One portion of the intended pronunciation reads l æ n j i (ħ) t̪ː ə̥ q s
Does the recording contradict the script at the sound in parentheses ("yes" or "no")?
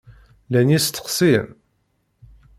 yes